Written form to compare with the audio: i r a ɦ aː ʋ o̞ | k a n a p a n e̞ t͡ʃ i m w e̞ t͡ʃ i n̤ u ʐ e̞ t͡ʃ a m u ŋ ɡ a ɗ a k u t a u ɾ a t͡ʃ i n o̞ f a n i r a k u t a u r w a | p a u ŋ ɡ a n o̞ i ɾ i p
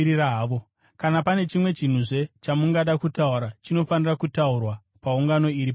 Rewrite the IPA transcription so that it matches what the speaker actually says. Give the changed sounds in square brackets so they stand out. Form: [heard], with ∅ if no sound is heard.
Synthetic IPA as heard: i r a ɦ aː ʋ o̞ | k a n a p a n e̞ t͡ʃ i m w e̞ t͡ʃ i n̤ u ʐ e̞ t͡ʃ a m u ŋ ɡ a ɗ a k u t a u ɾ a t͡ʃ i n o̞ f a n i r a k u t a u r w a | p a u ŋ ɡ a n o̞ i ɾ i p